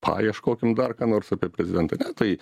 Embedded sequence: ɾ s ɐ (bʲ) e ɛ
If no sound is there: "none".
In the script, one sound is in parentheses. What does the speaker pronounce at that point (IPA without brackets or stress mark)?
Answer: pʲ